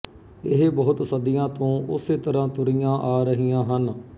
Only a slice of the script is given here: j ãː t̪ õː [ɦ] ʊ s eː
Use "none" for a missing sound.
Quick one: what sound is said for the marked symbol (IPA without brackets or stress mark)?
none